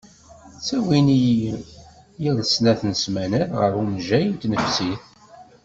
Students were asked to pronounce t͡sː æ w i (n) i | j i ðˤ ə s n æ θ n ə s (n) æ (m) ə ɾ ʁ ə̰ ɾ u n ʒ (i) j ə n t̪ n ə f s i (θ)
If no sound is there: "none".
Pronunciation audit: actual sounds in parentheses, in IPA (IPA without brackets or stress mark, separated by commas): n, m, n, æ, θ